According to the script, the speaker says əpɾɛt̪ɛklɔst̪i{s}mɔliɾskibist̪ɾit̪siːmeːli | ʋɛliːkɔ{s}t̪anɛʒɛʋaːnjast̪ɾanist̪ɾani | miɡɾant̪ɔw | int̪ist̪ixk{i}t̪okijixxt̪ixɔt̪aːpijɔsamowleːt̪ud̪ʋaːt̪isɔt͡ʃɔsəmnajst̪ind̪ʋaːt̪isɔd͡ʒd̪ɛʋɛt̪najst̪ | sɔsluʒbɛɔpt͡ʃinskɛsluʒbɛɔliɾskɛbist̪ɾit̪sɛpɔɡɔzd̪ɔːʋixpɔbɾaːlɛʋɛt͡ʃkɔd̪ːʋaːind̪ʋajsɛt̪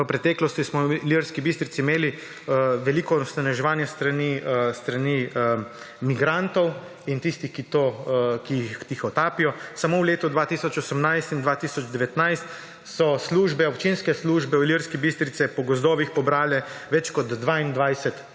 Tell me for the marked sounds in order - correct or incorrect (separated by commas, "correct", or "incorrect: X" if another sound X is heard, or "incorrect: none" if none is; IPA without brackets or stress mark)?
correct, correct, correct